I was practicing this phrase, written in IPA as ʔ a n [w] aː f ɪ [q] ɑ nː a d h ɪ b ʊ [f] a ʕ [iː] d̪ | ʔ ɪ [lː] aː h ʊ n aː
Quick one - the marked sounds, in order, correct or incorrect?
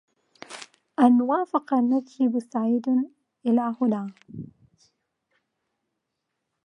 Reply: correct, correct, incorrect: s, correct, incorrect: l

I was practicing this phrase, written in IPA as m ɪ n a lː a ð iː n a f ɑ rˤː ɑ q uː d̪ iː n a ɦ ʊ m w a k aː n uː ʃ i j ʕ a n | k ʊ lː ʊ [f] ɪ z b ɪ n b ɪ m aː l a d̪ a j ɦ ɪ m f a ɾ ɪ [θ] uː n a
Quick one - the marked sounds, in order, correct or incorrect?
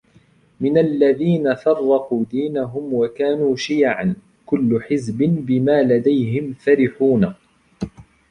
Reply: incorrect: ħ, incorrect: ħ

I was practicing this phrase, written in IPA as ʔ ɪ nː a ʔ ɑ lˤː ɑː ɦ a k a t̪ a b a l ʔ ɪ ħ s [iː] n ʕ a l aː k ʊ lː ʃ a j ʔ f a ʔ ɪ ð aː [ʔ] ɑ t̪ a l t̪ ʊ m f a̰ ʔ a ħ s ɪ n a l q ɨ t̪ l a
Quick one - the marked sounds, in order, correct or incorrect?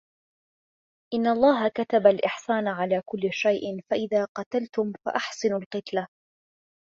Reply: incorrect: aː, incorrect: q

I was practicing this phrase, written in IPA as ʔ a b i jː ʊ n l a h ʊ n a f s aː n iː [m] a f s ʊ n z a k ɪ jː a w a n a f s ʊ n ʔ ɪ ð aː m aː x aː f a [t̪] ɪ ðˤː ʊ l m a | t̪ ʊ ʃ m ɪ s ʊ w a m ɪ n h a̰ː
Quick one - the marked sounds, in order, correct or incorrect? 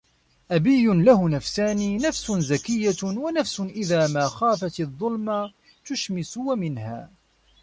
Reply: incorrect: n, correct

